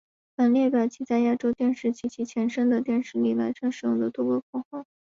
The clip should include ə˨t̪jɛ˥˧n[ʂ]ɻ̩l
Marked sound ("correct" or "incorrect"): correct